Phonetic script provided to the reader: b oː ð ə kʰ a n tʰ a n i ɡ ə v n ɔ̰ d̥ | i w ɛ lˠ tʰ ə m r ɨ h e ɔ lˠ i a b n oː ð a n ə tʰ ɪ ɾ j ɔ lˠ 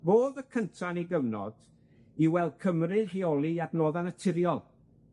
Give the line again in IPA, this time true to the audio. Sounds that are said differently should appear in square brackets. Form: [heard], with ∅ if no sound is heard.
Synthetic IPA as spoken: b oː ð ə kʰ [ə] n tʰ a n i ɡ ə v n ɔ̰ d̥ | i w ɛ lˠ [kʰ] ə m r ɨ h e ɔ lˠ i a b n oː ð a n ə tʰ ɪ ɾ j ɔ lˠ